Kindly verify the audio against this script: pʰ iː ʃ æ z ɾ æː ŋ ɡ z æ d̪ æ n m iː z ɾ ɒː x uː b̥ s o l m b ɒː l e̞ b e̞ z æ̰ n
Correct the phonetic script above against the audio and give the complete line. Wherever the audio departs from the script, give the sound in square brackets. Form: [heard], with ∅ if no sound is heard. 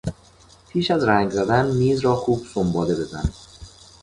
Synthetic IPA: pʰ iː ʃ æ z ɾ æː ŋ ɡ z æ d̪ æ n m iː z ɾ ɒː x uː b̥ s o [∅] m b ɒː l e̞ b e̞ z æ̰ n